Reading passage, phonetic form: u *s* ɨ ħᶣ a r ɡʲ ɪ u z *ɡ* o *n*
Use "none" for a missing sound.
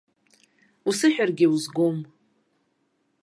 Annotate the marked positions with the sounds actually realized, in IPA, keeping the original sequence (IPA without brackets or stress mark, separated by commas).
s, ɡ, m